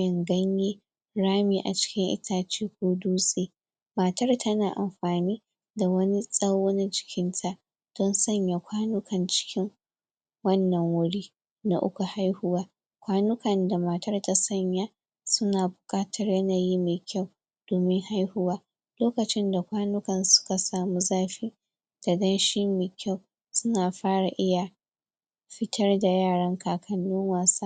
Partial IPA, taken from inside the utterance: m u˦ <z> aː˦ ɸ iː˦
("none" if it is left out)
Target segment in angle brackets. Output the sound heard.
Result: z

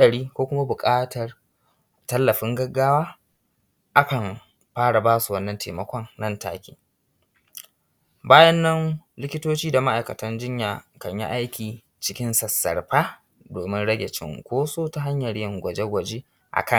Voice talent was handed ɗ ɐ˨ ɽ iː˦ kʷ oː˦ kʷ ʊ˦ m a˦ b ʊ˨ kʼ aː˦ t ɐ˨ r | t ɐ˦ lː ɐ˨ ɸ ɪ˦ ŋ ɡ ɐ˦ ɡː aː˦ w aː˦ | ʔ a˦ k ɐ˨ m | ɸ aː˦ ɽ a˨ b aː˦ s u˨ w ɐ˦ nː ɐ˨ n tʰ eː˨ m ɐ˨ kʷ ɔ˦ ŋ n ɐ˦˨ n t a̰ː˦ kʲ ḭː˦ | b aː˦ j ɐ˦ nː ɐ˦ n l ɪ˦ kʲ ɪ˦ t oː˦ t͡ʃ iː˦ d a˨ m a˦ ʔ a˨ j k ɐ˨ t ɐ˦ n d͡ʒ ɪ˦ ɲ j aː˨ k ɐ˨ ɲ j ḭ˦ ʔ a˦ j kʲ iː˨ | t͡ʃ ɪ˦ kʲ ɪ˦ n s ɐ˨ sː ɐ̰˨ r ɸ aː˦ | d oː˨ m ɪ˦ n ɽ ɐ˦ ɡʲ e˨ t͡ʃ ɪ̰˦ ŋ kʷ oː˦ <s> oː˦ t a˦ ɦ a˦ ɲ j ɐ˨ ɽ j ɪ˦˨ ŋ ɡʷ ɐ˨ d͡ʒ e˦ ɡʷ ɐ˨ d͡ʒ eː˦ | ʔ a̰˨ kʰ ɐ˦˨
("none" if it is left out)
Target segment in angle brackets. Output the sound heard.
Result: s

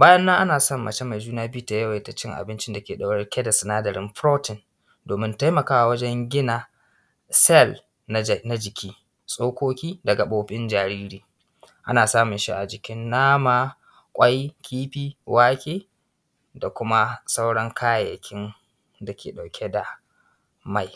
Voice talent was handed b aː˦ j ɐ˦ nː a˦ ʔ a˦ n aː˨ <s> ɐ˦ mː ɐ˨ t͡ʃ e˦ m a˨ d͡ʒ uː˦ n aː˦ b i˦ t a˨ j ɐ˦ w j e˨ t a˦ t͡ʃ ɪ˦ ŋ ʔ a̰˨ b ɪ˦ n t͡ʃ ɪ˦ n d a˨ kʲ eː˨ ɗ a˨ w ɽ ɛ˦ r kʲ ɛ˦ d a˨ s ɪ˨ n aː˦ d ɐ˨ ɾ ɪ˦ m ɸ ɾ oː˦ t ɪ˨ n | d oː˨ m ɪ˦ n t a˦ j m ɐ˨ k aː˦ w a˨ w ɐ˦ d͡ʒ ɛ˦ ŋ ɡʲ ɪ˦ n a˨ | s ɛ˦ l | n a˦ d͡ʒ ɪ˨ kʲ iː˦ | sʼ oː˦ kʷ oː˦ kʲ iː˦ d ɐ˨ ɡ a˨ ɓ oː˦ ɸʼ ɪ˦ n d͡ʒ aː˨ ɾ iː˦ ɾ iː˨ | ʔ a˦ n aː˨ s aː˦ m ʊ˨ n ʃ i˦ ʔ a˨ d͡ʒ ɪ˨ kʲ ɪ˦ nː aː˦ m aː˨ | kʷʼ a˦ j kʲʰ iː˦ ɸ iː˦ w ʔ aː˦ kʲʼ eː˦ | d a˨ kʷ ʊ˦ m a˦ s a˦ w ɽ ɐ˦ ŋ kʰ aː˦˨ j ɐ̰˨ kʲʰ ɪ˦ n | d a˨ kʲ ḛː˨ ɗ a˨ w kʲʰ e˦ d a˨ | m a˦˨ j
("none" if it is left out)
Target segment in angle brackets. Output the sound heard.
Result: s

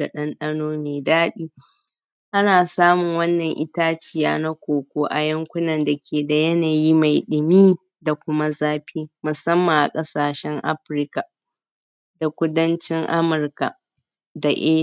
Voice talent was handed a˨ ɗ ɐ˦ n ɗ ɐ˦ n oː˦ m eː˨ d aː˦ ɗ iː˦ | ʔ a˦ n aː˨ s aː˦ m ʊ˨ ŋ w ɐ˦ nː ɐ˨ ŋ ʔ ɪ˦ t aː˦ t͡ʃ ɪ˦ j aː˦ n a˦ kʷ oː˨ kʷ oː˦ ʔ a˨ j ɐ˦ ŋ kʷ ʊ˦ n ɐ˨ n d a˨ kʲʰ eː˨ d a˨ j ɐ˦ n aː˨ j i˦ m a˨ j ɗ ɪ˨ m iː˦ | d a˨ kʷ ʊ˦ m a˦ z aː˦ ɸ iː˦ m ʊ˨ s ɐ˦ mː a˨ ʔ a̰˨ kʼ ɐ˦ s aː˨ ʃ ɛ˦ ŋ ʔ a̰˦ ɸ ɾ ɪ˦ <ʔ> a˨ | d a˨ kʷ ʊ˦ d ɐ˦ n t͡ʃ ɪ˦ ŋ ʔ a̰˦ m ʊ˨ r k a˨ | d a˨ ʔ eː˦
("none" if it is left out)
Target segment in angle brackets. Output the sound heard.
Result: k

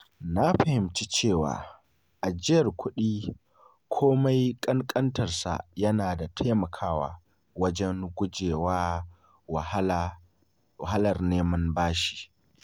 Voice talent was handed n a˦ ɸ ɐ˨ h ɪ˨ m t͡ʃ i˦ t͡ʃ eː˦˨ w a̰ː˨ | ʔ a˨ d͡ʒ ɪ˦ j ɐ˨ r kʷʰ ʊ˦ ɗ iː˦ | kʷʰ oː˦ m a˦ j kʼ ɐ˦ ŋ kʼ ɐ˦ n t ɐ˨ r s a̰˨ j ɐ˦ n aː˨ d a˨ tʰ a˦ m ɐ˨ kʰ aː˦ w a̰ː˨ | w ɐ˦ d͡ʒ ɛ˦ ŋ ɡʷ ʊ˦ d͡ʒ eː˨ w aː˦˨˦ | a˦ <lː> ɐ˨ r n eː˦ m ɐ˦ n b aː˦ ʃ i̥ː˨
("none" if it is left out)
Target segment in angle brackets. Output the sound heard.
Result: l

